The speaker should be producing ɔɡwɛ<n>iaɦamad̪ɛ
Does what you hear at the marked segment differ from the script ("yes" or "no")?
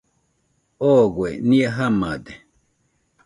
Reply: no